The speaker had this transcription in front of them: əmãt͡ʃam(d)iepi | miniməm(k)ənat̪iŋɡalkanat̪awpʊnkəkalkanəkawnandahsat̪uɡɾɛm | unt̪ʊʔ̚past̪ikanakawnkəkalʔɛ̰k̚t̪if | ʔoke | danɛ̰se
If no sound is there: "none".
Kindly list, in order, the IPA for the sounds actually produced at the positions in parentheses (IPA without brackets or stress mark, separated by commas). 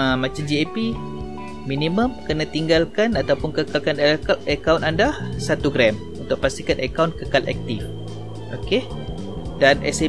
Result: d͡ʒ, k